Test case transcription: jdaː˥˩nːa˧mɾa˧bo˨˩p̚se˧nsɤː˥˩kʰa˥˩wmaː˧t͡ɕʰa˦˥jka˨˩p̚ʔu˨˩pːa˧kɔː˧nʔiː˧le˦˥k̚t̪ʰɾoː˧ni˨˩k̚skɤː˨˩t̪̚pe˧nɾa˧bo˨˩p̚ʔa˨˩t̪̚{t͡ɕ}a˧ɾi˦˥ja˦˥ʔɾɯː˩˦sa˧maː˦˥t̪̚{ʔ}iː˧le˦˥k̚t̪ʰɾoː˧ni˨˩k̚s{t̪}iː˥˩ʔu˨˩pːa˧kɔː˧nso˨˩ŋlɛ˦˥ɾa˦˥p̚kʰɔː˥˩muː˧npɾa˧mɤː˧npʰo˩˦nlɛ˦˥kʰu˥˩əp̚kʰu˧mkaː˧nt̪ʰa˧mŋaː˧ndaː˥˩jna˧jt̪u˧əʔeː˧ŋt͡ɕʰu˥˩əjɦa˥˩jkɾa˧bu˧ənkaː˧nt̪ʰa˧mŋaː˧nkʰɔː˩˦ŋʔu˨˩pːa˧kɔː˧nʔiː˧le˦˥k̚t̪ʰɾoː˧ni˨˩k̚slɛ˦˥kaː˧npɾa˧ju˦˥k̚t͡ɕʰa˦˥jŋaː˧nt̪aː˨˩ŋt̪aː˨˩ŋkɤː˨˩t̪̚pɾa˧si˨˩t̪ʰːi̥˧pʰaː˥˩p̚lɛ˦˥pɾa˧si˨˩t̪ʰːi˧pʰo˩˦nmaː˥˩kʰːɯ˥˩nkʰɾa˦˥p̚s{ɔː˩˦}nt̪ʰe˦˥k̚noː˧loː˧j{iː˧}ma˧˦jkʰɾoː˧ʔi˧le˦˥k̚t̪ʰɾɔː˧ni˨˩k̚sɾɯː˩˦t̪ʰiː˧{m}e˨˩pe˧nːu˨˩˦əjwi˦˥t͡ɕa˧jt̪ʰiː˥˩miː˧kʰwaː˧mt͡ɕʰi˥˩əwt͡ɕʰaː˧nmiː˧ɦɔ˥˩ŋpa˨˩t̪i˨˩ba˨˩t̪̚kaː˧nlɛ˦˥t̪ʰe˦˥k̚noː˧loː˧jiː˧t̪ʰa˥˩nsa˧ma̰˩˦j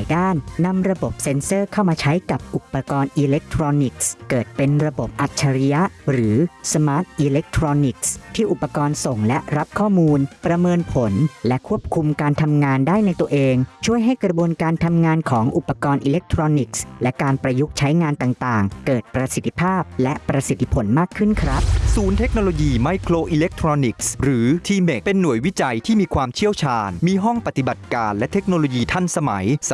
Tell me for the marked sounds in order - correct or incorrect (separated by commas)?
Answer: incorrect, correct, incorrect, incorrect, correct, correct